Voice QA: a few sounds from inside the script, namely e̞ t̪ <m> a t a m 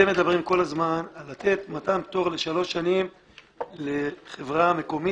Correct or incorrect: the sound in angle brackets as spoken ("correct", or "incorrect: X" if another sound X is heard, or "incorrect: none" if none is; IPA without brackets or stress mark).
correct